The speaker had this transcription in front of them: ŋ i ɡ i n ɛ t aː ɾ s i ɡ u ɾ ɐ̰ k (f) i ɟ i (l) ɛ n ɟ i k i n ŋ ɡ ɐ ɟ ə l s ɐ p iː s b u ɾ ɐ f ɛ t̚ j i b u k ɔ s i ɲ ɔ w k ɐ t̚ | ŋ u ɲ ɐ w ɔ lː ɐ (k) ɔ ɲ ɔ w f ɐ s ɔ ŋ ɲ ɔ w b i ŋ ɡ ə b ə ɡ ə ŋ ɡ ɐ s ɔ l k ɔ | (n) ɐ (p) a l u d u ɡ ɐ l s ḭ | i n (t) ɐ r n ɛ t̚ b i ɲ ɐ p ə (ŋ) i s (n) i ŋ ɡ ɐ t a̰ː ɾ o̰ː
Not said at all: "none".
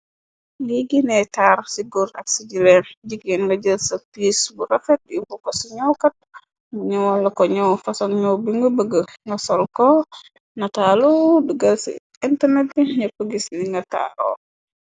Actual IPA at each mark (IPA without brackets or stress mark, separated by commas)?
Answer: s, l, k, n, t, t, ɡ, n